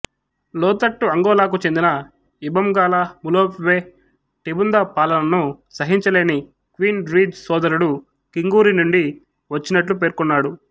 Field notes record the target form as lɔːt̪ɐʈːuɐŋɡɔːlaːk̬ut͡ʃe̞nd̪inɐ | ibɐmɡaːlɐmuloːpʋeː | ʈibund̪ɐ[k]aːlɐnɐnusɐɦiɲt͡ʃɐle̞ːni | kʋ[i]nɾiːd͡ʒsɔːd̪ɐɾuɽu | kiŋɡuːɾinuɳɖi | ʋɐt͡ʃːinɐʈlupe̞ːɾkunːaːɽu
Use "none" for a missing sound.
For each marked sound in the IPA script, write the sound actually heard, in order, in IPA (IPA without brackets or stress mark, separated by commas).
p, iː